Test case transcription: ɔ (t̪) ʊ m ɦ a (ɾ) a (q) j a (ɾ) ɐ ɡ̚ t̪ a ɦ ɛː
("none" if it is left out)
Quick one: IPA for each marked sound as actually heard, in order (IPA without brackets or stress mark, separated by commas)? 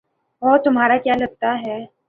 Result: t̪, ɾ, k, l